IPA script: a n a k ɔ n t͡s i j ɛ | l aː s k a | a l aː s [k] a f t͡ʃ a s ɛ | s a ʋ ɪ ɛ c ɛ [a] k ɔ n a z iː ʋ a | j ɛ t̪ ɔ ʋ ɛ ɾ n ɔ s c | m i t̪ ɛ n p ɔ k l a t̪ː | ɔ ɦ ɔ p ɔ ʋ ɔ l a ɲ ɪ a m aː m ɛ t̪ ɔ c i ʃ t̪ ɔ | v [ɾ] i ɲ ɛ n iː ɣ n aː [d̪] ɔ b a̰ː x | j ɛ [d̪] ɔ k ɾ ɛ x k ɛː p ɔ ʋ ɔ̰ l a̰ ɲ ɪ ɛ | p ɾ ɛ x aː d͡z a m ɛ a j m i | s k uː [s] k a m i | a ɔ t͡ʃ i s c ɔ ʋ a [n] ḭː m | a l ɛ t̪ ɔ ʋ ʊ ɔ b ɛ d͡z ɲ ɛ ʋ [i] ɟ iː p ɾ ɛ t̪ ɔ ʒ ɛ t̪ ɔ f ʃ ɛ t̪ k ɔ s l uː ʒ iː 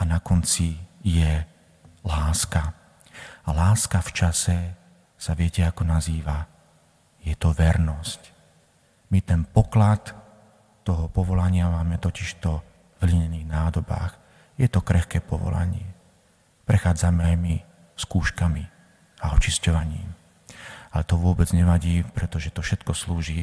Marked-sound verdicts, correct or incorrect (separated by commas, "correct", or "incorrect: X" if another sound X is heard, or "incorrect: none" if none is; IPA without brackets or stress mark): correct, correct, incorrect: l, correct, incorrect: t̪, incorrect: ʃ, incorrect: ɲ, incorrect: a